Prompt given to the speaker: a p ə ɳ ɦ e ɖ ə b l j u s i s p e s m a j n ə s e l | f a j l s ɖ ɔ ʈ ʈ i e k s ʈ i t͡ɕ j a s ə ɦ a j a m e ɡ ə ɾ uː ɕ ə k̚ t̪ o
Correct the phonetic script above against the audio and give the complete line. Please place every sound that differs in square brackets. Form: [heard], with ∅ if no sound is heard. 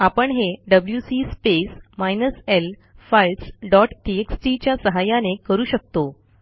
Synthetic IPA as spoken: a p ə ɳ ɦ e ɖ ə b l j u s i s p e s m a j n ə s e l | f a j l s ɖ ɔ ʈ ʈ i e k s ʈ i t͡ɕ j a s ə ɦ a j a [n] e [k] ə ɾ uː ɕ ə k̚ t̪ o